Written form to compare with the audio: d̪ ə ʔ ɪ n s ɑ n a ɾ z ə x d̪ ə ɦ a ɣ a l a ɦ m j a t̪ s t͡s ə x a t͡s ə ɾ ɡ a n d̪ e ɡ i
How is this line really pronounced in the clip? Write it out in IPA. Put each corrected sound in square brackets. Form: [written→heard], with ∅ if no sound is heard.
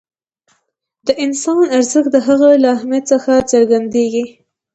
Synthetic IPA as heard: d̪ ə ʔ ɪ n s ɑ n a ɾ z ə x d̪ ə ɦ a ɣ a l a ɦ m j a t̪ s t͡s ə x a t͡s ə ɾ ɡ a n d̪ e ɡ i